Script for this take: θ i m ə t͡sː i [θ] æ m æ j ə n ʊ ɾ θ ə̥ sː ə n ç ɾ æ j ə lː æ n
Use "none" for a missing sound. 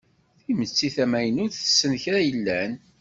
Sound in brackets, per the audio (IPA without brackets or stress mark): θ